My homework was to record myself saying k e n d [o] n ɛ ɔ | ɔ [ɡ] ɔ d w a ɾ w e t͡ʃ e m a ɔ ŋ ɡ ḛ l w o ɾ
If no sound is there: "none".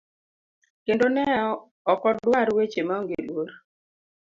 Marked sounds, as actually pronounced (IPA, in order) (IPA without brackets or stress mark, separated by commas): o, k